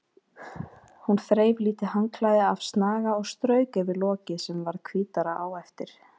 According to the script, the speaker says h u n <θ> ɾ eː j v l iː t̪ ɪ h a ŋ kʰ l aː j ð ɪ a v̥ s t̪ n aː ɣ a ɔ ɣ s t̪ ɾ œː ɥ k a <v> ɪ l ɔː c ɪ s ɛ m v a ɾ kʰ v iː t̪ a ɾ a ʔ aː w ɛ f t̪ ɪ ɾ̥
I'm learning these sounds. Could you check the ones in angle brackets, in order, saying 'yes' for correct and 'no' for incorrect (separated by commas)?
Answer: yes, yes